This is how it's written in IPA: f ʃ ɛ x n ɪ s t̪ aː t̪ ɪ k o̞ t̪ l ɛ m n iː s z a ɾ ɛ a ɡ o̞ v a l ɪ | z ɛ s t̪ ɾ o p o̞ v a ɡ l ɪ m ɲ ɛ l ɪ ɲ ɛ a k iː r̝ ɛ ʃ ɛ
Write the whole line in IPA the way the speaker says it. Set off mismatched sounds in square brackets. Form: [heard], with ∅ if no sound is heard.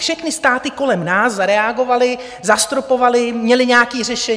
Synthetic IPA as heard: f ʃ ɛ x n ɪ s t̪ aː t̪ ɪ k o̞ [∅] l ɛ m n [aː] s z a ɾ ɛ a ɡ o̞ v a l ɪ | z [a] s t̪ ɾ o p o̞ v a [∅] l ɪ m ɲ ɛ l ɪ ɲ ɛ a k iː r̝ ɛ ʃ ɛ